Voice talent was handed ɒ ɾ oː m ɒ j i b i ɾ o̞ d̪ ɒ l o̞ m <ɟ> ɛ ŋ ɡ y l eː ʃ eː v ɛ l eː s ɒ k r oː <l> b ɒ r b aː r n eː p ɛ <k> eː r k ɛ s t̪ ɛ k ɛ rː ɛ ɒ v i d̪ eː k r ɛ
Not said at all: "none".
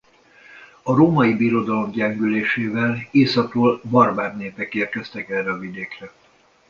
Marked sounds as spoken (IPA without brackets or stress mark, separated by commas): ɟ, l, k